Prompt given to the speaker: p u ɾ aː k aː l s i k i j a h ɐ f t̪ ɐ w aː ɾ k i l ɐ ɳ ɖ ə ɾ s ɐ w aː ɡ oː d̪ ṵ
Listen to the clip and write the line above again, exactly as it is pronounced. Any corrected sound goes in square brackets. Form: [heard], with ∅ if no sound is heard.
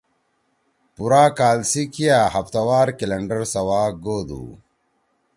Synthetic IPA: p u ɾ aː k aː l s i k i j a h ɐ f t̪ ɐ w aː ɾ k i l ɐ ɳ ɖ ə ɾ s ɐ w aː ɡ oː d̪ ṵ